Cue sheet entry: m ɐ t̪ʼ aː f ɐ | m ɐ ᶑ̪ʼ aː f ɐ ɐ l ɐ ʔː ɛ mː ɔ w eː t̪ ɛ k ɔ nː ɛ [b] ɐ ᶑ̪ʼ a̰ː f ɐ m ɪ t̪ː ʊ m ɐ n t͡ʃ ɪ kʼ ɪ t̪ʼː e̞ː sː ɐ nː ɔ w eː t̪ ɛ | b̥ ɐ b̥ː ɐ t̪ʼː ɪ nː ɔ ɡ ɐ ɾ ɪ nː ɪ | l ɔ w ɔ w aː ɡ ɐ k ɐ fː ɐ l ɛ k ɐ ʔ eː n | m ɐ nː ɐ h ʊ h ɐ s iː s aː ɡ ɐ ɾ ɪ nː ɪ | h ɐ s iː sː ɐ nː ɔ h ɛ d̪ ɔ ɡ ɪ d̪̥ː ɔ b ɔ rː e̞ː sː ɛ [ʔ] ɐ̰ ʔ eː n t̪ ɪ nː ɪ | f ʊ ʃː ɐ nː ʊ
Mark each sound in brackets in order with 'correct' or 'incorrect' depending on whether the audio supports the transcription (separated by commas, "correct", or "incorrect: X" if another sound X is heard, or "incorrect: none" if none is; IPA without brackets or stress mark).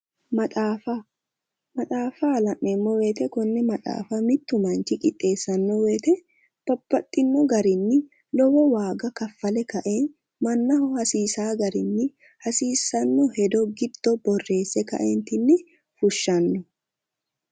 incorrect: m, incorrect: k